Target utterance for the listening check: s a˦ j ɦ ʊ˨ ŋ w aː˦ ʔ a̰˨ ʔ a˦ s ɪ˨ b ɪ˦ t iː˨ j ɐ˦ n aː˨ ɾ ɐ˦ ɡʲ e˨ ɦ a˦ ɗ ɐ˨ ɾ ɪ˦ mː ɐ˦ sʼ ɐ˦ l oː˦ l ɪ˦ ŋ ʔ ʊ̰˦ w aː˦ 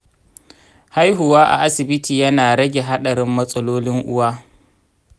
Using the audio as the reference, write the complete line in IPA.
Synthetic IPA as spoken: h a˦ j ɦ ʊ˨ w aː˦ ʔ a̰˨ ʔ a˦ s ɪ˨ b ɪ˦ t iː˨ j ɐ˦ n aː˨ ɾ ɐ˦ ɡʲ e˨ ɦ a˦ ɗ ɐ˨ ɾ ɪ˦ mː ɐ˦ sʼ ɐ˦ l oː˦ l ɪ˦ ŋ ʔ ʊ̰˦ w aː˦

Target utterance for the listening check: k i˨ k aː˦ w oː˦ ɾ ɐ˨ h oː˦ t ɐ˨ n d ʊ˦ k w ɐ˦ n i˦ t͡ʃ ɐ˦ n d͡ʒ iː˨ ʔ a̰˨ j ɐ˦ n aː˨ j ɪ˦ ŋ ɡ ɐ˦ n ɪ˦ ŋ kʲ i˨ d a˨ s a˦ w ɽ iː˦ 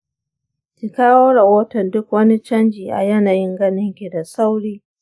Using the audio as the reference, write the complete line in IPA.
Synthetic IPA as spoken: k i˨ k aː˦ w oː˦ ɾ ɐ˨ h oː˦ t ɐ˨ n d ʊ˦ k w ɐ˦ n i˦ t͡ʃ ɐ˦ n d͡ʒ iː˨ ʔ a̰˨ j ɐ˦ n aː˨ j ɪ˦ ŋ ɡ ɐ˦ n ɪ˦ ŋ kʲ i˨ d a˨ s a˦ w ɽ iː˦

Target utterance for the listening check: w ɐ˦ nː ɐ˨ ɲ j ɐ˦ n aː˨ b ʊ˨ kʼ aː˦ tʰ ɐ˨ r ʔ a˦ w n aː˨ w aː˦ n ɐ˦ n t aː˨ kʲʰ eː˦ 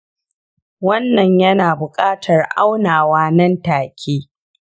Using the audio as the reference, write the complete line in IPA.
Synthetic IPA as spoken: w ɐ˦ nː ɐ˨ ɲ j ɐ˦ n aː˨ b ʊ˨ kʼ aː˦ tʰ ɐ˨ r ʔ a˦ w n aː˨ w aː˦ n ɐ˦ n t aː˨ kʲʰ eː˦

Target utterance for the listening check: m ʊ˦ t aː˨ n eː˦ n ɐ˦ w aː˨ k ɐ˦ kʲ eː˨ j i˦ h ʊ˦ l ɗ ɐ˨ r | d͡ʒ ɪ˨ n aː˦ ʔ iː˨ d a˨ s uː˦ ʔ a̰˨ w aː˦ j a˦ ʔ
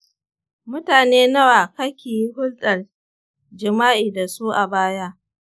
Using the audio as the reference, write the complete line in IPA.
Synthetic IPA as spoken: m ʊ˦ t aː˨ n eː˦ n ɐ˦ w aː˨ k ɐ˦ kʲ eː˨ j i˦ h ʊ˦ l ɗ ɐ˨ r | d͡ʒ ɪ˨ m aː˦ ʔ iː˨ d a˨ s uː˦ ʔ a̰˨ b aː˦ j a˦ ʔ

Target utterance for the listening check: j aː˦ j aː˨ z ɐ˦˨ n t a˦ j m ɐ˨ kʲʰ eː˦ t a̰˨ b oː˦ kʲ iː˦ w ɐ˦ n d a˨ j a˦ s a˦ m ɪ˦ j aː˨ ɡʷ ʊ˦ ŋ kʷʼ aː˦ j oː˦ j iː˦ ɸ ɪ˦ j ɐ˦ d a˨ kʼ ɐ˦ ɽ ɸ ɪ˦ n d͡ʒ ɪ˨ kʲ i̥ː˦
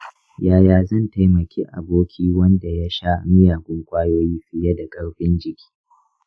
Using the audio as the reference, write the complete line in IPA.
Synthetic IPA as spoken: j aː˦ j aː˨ z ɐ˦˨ n t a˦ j m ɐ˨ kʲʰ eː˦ ʔ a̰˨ b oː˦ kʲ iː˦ w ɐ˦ n d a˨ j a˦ ʃ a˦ m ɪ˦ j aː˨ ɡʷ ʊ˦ ŋ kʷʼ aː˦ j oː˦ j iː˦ ɸ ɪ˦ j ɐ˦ d a˨ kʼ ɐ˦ ɽ ɸ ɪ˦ n d͡ʒ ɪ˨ kʲ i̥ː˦

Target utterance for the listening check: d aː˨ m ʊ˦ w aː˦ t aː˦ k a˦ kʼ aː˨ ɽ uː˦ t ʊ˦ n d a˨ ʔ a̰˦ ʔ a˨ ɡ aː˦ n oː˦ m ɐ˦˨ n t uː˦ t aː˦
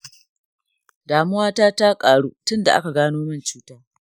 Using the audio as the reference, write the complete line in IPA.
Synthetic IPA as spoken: d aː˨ m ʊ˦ w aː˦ t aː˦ t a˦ kʼ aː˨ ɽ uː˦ t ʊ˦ n d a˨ ʔ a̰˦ k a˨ ɡ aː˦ n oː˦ m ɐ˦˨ n t͡ʃ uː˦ t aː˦

